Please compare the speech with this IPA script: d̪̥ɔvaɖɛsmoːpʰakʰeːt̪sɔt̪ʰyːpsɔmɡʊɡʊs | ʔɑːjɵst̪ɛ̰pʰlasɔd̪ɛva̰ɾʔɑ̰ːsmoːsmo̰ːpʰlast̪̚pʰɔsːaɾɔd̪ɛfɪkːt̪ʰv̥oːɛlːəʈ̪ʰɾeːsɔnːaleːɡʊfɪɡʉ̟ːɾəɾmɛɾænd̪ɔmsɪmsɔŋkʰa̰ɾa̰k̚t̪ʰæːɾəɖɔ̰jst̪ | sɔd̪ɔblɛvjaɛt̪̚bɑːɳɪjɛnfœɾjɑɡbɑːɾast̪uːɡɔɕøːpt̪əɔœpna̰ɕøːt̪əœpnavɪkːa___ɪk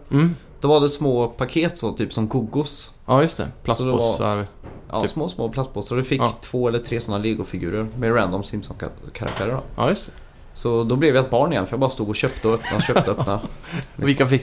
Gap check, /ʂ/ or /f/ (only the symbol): f